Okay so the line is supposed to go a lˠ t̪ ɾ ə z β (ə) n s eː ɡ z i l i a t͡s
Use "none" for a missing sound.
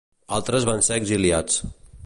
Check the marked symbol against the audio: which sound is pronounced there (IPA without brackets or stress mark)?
a